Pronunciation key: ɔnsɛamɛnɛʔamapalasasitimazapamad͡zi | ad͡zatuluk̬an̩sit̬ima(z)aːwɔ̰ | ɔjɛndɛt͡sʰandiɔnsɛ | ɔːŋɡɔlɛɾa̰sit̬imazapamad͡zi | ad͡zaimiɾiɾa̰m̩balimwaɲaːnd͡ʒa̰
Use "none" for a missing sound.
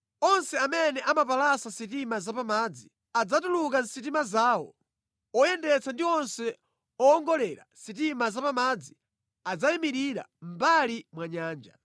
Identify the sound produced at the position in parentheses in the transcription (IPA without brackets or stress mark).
z